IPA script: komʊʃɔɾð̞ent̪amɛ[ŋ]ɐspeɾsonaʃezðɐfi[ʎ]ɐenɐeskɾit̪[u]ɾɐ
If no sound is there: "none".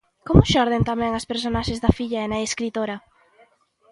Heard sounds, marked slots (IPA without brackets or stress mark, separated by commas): ŋ, ʎ, o